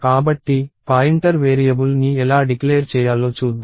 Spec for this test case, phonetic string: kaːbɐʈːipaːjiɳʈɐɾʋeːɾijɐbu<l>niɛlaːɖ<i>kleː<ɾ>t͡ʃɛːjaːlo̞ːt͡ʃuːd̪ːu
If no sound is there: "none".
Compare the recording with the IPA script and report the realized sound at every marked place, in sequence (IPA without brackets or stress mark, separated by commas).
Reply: l, i, ɾ